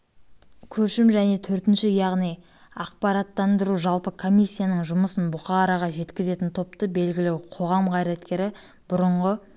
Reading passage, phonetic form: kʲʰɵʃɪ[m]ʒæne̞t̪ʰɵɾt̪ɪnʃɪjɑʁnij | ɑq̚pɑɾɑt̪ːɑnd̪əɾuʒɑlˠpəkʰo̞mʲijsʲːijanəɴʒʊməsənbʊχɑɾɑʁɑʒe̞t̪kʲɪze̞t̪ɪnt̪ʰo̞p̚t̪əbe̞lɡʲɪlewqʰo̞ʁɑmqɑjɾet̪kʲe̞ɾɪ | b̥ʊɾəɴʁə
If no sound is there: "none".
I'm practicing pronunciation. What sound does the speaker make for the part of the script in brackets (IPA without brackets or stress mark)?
m